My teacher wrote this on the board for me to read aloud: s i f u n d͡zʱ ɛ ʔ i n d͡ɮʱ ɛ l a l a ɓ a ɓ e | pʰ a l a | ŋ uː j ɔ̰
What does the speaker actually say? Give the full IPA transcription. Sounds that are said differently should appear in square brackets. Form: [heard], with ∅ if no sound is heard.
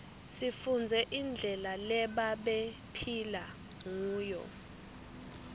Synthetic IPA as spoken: s i f u n d͡zʱ ɛ ʔ i n d͡ɮʱ ɛ l a l [ɛ] ɓ a ɓ e | pʰ [i] l a | ŋ uː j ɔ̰